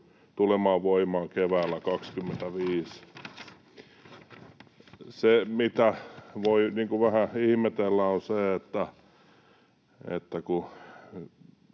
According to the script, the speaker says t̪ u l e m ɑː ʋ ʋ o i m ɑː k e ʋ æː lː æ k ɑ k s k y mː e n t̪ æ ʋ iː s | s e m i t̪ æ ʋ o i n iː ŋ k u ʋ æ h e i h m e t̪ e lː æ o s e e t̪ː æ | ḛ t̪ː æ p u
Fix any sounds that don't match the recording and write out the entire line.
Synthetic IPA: t̪ u l e m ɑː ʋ ʋ o i m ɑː k e ʋ æː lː æ k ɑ k s k y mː e n t̪ æ ʋ iː s | s e m i t̪ æ ʋ o i n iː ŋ k u ʋ æ h æ i h m e t̪ e lː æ o s e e t̪ː æ | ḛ t̪ː æ k u

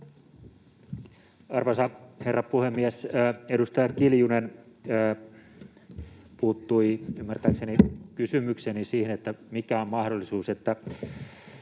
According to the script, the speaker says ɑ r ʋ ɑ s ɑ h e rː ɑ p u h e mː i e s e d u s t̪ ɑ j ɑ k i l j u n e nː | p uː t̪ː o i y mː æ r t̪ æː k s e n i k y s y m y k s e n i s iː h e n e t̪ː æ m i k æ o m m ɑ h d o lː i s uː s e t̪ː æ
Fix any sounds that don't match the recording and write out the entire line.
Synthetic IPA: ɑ r ʋ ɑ s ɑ h e rː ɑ p u h e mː i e s e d u s t̪ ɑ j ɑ k i l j u n e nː | p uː t̪ː u i y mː æ r t̪ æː k s e n i k y s y m y k s e n i s iː h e n e t̪ː æ m i k æ o m m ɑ h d o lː i s uː s e t̪ː æ

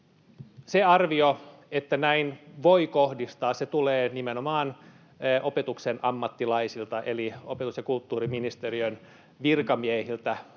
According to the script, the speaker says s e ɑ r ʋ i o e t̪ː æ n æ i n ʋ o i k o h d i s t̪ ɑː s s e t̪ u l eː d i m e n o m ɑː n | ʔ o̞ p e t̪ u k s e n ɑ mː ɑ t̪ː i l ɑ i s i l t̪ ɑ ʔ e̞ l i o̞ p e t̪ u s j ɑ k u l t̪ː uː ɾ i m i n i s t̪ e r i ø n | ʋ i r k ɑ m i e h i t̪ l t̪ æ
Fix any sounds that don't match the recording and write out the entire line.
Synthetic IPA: s e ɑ r ʋ i o e t̪ː æ n æ i n ʋ o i k o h d i s t̪ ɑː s s e t̪ u l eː n i m e n o m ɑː n | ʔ o̞ p e t̪ u k s e n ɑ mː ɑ t̪ː i l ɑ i s i l t̪ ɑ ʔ e̞ l i o̞ p e t̪ u s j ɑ k u l t̪ː uː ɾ i m i n i s t̪ e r i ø n | ʋ i r k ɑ m i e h i l t̪ æ

